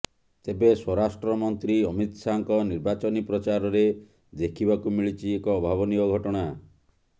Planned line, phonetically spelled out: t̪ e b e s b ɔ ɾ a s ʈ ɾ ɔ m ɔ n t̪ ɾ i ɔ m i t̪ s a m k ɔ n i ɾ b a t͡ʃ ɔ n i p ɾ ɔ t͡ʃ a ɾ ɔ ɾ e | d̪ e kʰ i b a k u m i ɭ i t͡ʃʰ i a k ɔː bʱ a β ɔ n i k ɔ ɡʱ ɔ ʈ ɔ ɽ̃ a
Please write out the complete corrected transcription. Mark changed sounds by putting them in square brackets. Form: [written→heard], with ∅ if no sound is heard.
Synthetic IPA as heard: t̪ e b e s [b→w] ɔ ɾ a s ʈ ɾ ɔ m ɔ n t̪ ɾ i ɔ m i t̪ s a [m→ŋ] k ɔ n i ɾ b a t͡ʃ ɔ n i p ɾ ɔ t͡ʃ a ɾ ɔ ɾ e | d̪ e kʰ i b a k u m i ɭ i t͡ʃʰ i [a→e] k ɔː bʱ a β ɔ n i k ɔ ɡʱ ɔ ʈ ɔ ɽ̃ a